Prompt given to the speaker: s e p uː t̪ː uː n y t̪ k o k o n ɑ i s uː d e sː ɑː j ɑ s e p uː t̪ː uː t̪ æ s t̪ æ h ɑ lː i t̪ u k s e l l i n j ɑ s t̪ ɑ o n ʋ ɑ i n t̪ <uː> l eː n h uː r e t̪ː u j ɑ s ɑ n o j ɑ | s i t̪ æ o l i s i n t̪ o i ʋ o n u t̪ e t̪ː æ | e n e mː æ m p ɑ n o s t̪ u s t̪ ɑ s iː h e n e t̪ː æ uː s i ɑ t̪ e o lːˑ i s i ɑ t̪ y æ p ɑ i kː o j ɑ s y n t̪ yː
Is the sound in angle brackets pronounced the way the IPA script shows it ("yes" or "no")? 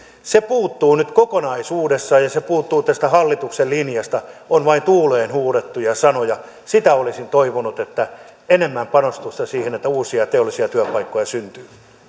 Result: yes